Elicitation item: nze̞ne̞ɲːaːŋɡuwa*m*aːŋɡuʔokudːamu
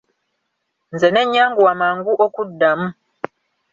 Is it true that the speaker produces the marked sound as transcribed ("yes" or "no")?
yes